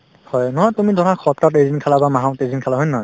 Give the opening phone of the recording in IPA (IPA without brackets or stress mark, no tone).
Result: h